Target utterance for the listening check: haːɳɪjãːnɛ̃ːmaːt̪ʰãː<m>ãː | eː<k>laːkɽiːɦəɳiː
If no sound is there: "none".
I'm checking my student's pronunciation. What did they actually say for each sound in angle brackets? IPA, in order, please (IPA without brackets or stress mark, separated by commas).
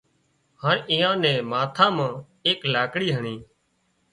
m, k